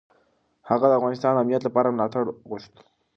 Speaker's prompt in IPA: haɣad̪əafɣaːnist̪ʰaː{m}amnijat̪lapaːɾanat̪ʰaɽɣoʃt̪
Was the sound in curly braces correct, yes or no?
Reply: no